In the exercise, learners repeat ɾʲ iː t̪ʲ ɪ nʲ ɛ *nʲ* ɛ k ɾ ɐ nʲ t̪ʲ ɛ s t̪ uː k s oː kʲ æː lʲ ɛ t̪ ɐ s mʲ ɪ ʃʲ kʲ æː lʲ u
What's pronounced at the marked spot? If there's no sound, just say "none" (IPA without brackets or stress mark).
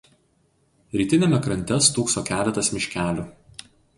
mʲ